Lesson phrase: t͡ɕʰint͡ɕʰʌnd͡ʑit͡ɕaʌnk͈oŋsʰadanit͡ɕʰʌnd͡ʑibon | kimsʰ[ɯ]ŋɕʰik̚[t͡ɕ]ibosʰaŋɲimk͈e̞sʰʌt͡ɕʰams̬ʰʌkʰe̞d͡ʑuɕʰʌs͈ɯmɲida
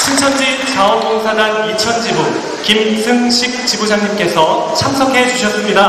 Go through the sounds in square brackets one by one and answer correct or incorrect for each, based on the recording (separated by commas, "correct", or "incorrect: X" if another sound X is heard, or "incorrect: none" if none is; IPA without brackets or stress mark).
correct, correct